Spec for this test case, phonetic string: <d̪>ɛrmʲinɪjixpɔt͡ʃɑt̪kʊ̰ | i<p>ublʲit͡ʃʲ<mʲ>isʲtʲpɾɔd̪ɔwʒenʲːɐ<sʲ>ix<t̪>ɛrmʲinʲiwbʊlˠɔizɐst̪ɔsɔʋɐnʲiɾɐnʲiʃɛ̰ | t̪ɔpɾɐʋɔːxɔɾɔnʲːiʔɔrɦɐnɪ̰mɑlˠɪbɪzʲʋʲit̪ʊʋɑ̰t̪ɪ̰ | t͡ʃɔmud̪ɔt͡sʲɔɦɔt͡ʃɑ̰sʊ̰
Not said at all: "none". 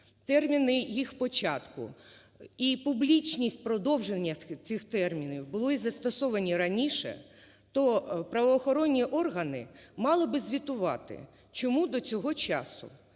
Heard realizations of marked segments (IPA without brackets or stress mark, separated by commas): t̪, p, nʲ, t͡sʲ, t̪